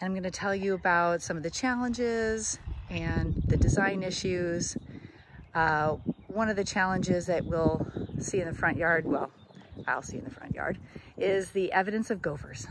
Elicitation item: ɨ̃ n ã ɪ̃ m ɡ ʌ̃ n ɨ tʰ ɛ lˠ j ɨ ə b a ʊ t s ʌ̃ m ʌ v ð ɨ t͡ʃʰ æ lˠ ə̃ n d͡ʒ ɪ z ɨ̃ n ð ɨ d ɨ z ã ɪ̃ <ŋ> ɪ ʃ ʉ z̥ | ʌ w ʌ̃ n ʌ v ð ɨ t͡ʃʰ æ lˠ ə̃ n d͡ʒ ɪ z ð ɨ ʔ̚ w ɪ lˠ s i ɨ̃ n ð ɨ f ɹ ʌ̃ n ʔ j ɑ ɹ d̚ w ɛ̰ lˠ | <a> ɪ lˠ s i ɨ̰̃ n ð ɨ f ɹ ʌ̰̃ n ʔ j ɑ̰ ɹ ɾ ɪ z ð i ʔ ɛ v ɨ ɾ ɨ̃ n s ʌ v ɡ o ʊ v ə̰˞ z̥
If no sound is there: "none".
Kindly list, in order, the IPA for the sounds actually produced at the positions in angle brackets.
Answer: n, a

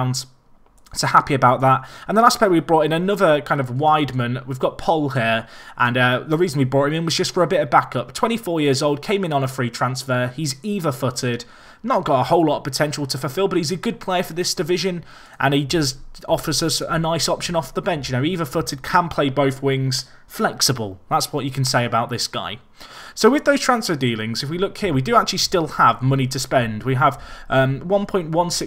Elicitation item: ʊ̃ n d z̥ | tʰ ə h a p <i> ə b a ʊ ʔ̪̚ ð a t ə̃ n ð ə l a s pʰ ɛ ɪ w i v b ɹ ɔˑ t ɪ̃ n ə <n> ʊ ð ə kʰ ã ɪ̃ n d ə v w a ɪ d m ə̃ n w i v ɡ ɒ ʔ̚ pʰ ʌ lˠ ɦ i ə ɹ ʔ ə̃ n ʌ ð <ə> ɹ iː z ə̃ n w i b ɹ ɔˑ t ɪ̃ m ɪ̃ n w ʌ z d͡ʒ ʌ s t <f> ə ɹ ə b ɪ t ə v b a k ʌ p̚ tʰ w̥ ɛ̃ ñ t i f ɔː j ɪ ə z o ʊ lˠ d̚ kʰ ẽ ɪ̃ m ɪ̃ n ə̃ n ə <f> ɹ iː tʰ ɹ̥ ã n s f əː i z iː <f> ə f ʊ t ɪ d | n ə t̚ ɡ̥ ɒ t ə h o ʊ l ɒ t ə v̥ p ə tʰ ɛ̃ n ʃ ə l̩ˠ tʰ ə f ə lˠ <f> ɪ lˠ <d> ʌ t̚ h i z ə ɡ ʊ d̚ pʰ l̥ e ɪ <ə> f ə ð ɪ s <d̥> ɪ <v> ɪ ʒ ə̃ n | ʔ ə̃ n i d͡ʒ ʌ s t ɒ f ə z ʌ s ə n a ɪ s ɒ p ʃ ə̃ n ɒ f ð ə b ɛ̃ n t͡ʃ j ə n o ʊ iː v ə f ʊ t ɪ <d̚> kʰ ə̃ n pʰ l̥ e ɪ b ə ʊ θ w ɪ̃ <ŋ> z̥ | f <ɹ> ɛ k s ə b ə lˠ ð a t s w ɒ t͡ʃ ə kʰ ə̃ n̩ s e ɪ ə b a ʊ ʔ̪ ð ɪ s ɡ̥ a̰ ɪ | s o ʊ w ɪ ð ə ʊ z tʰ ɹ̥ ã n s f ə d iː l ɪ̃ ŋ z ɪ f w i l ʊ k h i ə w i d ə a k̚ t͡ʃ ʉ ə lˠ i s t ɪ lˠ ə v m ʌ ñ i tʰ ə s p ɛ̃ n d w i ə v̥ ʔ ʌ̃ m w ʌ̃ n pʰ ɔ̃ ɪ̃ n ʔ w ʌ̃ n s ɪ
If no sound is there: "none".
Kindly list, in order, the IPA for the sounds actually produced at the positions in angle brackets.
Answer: i, n, ə, f, f, v, f, b, ə, d̥, v, d̚, ŋ, l

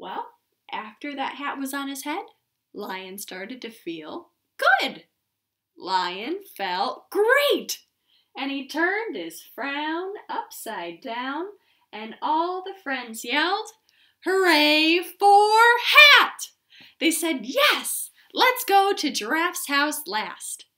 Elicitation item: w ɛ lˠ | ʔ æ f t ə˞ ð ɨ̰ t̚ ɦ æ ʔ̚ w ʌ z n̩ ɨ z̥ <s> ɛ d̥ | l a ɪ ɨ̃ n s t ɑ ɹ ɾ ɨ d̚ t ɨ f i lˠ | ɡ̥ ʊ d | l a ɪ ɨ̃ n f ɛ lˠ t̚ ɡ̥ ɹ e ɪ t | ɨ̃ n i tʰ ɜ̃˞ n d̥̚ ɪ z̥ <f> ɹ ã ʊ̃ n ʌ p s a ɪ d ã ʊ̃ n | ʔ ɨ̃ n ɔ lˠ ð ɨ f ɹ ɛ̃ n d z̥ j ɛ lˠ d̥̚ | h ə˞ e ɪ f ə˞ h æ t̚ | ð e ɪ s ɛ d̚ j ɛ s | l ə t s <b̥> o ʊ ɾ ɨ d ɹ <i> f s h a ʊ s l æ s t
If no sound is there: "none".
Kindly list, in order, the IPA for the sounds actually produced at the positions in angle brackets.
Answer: h, f, ɡ̥, æ

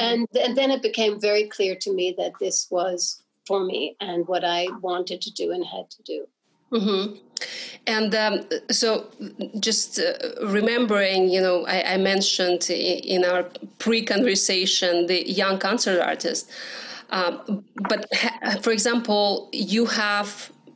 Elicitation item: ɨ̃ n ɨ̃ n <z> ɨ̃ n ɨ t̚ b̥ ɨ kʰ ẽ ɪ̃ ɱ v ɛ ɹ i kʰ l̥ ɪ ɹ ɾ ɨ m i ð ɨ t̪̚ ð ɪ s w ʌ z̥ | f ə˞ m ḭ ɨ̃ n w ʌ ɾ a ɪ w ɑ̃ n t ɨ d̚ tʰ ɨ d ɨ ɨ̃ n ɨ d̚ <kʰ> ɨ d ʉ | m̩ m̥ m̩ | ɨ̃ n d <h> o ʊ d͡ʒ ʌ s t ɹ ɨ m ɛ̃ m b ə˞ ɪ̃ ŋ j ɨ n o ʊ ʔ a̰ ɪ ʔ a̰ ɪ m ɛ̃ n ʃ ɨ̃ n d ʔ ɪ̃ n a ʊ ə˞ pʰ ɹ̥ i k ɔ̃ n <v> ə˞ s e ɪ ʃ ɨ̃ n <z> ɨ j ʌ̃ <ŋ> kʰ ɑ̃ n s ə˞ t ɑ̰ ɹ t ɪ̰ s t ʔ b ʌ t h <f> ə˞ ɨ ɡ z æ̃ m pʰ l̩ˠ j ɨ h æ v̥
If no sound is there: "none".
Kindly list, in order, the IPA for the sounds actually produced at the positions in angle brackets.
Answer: ð, tʰ, s, v, ð, ŋ, f

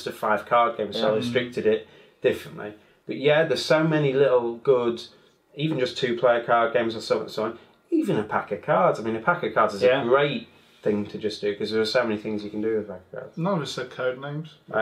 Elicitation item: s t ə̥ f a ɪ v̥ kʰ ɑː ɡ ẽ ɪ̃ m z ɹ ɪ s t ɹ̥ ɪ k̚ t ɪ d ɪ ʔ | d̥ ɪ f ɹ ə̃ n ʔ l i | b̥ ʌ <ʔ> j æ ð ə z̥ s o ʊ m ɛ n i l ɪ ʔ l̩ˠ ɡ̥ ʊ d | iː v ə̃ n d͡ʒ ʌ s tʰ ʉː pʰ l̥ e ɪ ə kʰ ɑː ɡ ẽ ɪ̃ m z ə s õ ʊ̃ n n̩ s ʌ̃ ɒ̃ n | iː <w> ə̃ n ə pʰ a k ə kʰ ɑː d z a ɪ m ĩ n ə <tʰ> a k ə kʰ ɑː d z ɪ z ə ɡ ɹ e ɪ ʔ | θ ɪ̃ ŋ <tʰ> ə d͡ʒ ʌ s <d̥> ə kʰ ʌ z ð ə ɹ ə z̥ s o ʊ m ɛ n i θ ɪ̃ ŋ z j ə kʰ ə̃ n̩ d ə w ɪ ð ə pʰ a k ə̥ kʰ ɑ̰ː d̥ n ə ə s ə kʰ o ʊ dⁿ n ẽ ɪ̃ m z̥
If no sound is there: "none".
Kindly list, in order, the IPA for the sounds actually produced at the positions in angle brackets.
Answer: ʔ, v, pʰ, tʰ, d̥

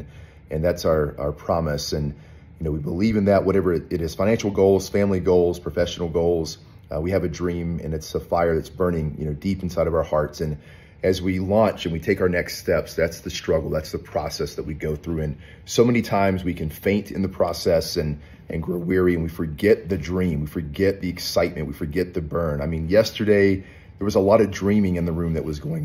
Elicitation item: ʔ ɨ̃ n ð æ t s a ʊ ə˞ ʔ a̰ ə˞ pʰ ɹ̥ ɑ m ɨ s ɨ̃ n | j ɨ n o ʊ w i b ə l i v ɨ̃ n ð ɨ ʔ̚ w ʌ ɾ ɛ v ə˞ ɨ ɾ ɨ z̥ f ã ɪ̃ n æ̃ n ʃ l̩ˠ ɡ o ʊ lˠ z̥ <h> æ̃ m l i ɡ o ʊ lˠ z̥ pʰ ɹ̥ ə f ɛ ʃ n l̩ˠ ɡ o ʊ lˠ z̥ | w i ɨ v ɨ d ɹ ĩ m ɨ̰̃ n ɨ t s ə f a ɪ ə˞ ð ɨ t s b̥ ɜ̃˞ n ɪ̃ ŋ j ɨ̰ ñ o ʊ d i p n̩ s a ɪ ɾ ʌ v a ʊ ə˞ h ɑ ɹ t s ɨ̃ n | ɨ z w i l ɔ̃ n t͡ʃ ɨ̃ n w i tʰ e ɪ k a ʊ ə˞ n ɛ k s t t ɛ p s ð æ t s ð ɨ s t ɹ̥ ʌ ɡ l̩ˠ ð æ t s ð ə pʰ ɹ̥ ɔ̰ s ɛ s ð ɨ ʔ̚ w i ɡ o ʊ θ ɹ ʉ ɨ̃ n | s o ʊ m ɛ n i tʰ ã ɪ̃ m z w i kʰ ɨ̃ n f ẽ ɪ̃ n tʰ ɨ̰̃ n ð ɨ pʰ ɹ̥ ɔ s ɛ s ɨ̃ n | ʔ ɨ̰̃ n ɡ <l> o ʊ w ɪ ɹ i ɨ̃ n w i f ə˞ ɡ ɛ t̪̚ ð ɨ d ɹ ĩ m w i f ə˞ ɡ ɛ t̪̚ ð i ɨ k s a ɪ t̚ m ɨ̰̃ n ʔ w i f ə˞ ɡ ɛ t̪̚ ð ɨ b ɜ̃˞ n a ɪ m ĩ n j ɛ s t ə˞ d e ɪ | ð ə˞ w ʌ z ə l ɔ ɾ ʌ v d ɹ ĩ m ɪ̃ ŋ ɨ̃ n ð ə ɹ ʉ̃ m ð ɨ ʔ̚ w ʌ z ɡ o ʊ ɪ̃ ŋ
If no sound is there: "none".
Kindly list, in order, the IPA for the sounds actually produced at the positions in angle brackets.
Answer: f, ɹ

